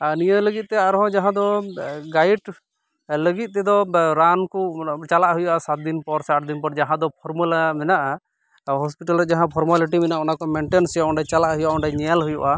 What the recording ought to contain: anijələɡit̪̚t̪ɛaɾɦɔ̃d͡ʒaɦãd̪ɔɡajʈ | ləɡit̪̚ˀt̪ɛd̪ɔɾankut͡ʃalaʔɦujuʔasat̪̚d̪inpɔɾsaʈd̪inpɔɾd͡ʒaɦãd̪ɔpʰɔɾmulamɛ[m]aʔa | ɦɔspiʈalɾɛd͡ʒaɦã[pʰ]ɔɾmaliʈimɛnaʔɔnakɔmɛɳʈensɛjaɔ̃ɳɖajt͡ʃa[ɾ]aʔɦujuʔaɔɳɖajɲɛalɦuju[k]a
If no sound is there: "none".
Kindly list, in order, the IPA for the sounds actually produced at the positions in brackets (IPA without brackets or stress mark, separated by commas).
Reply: n, pʰ, l, ʔ